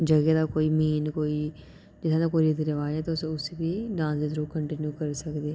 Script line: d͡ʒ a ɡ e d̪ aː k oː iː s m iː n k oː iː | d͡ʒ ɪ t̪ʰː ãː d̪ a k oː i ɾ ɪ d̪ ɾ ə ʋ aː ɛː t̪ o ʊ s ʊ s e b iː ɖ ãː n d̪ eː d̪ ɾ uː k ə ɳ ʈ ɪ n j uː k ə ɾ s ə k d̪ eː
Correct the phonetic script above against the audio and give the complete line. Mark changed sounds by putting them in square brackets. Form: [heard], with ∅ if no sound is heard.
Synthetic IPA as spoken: d͡ʒ [ə] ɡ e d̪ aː k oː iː [∅] m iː n k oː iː | d͡ʒ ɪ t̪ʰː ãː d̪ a k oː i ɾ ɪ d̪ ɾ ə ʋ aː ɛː t̪ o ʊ s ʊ s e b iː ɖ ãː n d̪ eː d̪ ɾ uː k ə ɳ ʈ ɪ n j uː k ə ɾ s ə k d̪ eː